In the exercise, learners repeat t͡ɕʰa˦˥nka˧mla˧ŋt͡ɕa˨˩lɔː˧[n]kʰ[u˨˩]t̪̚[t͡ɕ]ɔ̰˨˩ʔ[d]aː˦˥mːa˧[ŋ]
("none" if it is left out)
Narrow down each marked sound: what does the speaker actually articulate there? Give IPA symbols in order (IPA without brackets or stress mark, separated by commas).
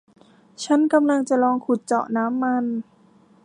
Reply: ŋ, u˨˩, t͡ɕ, n, n